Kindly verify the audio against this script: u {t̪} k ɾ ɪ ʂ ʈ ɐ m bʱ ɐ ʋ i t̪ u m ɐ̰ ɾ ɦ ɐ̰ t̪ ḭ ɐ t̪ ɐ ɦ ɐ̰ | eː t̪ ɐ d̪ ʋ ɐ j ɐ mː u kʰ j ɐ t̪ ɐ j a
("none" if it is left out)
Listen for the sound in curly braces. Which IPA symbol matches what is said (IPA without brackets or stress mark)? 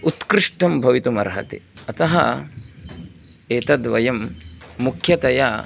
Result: t̪